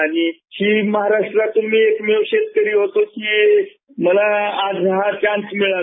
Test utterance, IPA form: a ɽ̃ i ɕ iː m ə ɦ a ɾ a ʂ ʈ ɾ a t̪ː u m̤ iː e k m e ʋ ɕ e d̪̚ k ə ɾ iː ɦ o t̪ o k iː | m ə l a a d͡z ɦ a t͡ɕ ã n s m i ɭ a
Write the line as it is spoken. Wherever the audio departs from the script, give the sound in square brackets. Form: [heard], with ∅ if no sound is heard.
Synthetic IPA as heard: a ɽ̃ i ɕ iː m ə ɦ a ɾ a ʂ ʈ ɾ a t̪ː u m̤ iː e k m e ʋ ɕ e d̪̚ k ə ɾ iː ɦ o t̪ o k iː | m ə l a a d͡z ɦ a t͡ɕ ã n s m i ɭ a